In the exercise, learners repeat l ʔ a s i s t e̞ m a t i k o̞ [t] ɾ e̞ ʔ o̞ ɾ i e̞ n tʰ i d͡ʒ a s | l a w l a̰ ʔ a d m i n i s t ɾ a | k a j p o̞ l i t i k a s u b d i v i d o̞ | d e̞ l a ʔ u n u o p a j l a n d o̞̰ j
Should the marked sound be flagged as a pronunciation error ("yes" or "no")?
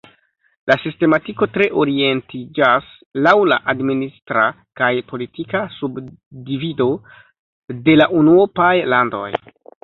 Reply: no